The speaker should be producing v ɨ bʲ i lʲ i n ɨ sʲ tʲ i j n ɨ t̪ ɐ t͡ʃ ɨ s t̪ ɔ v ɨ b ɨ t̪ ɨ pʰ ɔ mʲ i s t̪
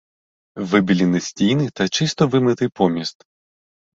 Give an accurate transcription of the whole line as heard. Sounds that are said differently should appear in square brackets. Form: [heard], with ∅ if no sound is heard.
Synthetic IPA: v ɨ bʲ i lʲ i n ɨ sʲ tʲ i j n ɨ t̪ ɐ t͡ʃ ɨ s t̪ ɔ v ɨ [m] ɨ t̪ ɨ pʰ ɔ mʲ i s t̪